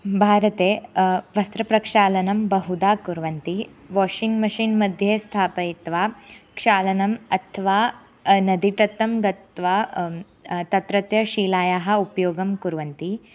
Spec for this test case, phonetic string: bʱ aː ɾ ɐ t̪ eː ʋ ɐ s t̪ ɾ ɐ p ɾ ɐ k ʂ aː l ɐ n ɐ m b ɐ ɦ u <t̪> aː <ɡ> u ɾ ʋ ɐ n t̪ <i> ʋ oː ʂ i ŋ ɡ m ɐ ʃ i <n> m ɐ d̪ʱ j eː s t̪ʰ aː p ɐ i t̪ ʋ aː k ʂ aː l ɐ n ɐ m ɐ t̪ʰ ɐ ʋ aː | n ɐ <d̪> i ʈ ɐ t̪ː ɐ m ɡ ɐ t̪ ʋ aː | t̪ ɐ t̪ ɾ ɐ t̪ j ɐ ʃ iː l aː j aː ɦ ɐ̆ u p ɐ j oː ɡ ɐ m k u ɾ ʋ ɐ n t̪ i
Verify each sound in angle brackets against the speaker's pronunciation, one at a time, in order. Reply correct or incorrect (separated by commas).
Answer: incorrect, incorrect, correct, correct, correct